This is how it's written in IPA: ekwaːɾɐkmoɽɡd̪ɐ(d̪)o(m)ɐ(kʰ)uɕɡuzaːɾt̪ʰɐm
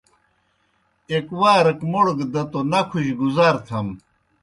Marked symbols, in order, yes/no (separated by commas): no, no, yes